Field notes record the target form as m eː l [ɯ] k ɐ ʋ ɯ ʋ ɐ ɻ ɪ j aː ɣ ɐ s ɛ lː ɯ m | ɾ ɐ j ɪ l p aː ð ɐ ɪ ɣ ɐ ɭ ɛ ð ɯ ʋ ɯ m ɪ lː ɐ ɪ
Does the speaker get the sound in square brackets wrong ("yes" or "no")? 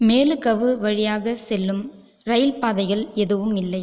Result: no